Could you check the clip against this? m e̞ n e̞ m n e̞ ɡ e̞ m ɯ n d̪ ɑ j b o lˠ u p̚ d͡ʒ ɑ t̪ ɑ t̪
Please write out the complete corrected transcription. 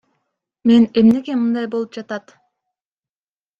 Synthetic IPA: m e̞ n e̞ m n e̞ ɡ e̞ m ɯ n d̪ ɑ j b o lˠ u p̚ d͡ʒ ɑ t̪ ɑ t̪